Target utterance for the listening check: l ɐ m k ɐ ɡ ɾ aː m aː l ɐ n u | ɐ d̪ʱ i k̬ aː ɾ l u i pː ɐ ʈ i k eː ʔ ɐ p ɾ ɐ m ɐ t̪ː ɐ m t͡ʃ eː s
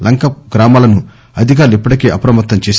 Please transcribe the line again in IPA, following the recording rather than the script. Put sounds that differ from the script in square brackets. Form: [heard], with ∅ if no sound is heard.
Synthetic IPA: l ɐ [ŋ] k ɐ ɡ ɾ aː m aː l ɐ n u | ɐ d̪ʱ i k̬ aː ɾ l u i pː ɐ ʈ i k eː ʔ ɐ p ɾ ɐ m ɐ t̪ː ɐ m t͡ʃ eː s